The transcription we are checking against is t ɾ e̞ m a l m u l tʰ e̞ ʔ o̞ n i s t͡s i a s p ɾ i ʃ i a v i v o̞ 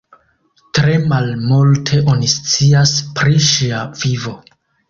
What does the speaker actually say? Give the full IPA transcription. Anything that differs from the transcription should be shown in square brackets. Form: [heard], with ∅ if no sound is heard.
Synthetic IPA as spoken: t ɾ e̞ m a l m u l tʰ e̞ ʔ o̞ n i s t͡s i a s p ɾ i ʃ i a v i v o̞

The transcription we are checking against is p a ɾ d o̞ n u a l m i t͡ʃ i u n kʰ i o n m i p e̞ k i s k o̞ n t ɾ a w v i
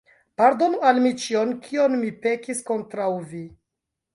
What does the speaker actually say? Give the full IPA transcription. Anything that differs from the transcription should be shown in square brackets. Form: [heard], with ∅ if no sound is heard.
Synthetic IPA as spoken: p a ɾ d o̞ n u a l m i t͡ʃ i [o] n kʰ i o n m i p e̞ k i s k o̞ n t ɾ a w v i

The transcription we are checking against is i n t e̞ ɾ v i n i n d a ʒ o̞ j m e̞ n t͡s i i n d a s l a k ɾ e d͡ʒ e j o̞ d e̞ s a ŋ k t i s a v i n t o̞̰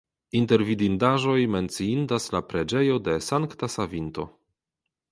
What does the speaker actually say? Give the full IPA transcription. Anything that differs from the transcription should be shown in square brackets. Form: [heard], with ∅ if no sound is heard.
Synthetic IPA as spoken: i n t e̞ ɾ v i [d] i n d a ʒ o̞ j m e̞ n t͡s i i n d a s l a [p] ɾ e d͡ʒ e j o̞ d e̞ s a ŋ k t [a] s a v i n t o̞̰

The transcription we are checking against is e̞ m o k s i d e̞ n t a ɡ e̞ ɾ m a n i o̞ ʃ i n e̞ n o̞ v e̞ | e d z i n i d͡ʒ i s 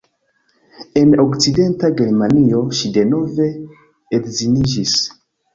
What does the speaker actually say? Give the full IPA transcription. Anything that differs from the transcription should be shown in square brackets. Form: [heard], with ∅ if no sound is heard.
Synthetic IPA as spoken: e̞ [n] o k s i d e̞ n t a ɡ e̞ ɾ m a n i o̞ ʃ i [d] e̞ n o̞ v e̞ | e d z i n i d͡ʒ i s

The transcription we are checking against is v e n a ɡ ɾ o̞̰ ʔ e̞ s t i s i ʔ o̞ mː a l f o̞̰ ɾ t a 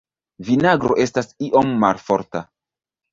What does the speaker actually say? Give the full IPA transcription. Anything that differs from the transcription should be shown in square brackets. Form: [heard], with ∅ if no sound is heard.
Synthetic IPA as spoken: v [i] n a ɡ ɾ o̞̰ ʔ e̞ s t [a] s i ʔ o̞ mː a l f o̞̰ ɾ t a

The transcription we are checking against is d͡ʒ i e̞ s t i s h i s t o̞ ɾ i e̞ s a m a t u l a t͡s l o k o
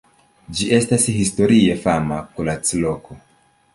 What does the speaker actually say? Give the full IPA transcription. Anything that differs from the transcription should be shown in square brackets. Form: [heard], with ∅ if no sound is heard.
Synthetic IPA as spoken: d͡ʒ i e̞ s t [a] s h i s t o̞ ɾ i e̞ [f] a m a [k] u l a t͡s l o k o

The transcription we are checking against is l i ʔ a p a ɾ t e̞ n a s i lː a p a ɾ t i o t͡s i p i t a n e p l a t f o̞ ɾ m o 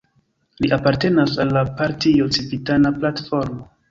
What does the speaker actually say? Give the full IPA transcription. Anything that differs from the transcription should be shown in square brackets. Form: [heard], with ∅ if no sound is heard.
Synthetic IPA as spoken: l i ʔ a p a ɾ t e̞ n a s [a] lː a p a ɾ t i o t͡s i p i t a n [a] p l a t f o̞ ɾ m o

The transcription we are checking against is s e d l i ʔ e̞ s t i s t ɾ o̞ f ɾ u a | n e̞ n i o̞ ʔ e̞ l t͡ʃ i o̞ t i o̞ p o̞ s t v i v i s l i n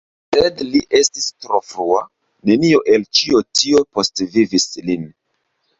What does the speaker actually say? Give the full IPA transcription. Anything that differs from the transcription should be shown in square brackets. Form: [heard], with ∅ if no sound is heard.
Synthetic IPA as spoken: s e d l i ʔ e̞ s t i s t ɾ o̞ f ɾ u a | n e̞ n i o̞ ʔ e̞ l t͡ʃ i o̞ t i o̞ p o̞ s t v i v i s l i n

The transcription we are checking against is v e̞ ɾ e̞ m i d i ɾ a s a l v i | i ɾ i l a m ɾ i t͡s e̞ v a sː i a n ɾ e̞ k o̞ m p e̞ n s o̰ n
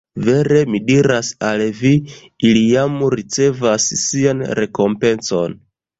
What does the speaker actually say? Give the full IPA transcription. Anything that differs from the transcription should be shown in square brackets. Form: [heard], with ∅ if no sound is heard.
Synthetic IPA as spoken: v e̞ ɾ e̞ m i d i ɾ a s a l v i | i [l] i [∅] a m ɾ i t͡s e̞ v a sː i a n ɾ e̞ k o̞ m p e̞ n s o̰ n

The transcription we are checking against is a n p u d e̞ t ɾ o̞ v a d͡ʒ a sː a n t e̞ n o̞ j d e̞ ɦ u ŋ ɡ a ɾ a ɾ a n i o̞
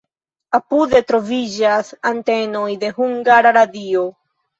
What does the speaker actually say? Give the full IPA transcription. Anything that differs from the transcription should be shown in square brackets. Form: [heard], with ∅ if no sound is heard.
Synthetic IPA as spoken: a [∅] p u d e̞ t ɾ o̞ v [i] d͡ʒ a [s] a n t e̞ n o̞ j d e̞ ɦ u ŋ ɡ a ɾ a ɾ a [d] i o̞

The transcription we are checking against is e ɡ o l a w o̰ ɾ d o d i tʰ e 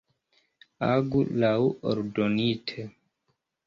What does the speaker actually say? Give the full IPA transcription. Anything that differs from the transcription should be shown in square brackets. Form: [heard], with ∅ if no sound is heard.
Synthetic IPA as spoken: [a] ɡ [u] l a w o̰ ɾ d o [n] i tʰ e

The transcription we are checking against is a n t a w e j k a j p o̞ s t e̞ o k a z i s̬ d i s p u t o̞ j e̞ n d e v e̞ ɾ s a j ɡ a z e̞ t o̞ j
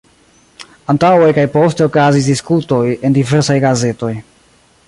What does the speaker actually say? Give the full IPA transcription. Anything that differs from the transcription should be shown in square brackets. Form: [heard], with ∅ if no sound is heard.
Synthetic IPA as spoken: a n t a w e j k a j p o̞ s t e̞ o k a z i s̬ d i s [k] u t o̞ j e̞ n d [i] v e̞ ɾ s a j ɡ a z e̞ t o̞ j

